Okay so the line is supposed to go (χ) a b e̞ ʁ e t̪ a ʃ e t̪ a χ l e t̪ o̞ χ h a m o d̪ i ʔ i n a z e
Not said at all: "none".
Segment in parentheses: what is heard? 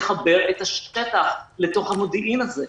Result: χ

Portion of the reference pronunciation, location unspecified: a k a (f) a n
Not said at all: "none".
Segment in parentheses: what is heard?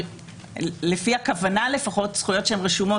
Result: v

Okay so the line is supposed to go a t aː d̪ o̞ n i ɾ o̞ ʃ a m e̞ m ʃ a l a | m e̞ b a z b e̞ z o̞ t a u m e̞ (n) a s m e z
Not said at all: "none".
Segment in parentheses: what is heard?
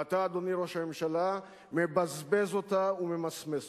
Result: m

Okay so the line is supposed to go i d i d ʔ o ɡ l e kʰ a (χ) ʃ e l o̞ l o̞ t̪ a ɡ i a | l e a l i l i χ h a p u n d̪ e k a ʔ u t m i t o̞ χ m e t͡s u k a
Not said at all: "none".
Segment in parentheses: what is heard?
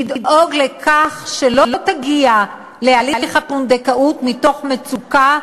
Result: χ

